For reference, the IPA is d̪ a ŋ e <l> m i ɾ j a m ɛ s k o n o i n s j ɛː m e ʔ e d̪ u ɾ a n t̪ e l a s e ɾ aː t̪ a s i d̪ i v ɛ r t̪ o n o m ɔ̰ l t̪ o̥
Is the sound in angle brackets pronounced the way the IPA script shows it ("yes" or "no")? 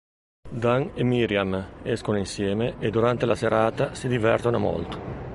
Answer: no